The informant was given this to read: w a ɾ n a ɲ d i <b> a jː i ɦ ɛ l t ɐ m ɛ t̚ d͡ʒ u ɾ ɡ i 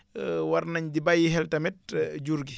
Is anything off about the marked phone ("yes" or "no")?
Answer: no